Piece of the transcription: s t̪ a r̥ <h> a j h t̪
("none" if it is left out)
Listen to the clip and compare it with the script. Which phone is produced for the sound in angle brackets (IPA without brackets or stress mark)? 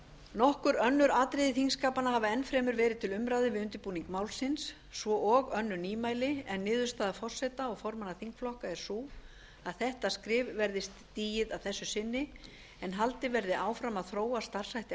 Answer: s